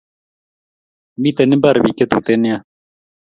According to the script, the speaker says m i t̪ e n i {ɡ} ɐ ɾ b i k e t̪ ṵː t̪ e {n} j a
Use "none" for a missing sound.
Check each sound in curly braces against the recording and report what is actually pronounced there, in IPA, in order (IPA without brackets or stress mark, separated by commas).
b, n